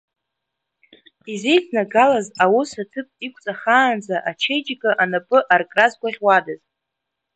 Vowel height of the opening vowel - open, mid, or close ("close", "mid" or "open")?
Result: close